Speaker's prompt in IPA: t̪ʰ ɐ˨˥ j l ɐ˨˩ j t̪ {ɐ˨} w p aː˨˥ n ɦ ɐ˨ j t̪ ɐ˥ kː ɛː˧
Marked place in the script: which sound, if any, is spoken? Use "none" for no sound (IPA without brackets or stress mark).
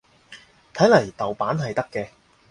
ɐ˨